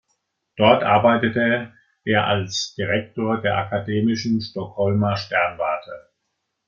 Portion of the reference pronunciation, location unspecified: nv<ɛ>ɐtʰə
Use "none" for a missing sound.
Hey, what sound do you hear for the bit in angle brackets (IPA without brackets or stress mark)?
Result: a